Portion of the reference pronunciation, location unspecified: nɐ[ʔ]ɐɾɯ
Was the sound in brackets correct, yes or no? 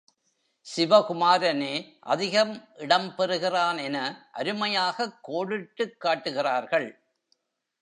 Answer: yes